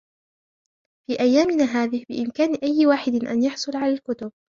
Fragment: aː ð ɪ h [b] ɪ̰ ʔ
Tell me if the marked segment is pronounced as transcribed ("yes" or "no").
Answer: yes